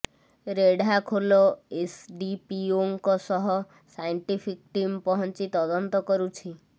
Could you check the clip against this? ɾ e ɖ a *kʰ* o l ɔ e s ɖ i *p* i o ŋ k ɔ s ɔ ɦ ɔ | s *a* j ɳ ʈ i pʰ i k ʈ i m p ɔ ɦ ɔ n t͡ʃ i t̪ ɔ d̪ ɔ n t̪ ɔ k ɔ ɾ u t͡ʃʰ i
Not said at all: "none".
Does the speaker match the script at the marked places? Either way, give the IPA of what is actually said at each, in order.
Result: kʰ, p, a

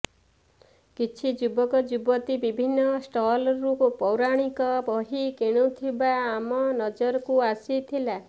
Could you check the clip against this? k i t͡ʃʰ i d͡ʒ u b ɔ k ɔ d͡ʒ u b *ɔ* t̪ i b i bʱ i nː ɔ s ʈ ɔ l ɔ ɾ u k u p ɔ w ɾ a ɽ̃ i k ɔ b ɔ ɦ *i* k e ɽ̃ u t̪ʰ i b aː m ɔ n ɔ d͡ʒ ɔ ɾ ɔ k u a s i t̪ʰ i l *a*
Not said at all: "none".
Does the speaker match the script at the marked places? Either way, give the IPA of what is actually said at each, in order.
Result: ɔ, i, a

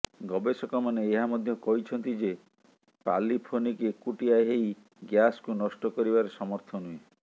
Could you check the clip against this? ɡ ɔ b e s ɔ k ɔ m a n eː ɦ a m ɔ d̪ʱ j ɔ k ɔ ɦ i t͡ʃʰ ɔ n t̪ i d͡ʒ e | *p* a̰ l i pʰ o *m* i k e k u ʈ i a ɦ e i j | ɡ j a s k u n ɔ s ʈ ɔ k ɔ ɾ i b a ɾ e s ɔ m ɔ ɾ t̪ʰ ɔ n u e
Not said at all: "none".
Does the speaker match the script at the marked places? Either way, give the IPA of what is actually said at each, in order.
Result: p, n

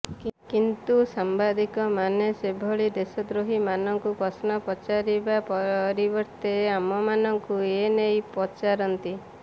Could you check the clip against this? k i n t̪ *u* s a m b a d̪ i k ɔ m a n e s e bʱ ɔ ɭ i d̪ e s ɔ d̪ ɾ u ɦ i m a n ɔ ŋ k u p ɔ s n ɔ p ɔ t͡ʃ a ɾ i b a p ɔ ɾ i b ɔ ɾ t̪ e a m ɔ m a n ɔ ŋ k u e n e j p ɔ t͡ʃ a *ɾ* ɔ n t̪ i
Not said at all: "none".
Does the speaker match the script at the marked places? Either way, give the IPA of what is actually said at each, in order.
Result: u, ɾ

